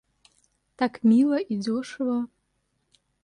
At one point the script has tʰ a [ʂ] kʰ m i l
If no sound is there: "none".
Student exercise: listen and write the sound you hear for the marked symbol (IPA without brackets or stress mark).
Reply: none